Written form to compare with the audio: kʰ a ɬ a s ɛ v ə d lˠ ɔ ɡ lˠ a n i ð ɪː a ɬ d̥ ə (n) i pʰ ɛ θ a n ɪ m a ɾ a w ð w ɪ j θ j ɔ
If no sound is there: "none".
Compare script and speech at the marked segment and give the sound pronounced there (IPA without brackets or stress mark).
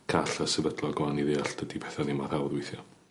d